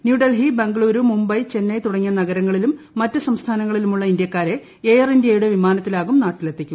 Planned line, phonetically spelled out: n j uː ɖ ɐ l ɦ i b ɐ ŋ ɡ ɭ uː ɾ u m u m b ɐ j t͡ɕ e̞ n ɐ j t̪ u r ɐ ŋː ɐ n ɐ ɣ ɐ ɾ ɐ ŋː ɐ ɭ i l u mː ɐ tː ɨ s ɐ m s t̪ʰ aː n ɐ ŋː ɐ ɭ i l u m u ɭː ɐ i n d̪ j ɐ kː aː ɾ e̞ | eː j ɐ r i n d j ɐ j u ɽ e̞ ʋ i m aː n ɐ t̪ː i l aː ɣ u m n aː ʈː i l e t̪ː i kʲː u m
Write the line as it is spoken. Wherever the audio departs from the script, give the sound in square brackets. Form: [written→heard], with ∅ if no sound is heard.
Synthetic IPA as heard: n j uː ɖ ɐ l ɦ i b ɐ ŋ ɡ ɭ uː ɾ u m u m b ɐ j t͡ɕ e̞ [n→nː] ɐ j t̪ u [r→ɽ] ɐ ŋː ɐ n ɐ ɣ ɐ ɾ ɐ ŋː ɐ ɭ i l u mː ɐ tː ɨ s ɐ m s t̪ʰ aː n ɐ ŋː ɐ ɭ i l u m u ɭː ɐ i n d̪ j ɐ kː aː ɾ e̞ | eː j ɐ r i n d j ɐ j u ɽ e̞ ʋ i m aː n ɐ t̪ː i l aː ɣ u m n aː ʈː i l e t̪ː i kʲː u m